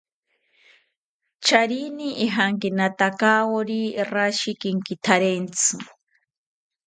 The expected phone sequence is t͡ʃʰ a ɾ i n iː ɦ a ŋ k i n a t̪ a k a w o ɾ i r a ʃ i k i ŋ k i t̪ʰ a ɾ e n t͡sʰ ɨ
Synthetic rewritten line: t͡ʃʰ a ɾ i n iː ɦ a ŋ k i n a t̪ a k a w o ɾ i r a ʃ i k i ŋ k i t̪ʰ a ɾ e n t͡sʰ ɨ